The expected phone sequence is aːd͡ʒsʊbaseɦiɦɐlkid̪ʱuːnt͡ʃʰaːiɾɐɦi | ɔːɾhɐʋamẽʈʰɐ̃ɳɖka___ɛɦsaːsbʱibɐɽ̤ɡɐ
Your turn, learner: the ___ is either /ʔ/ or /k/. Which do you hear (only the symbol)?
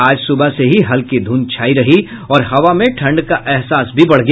ʔ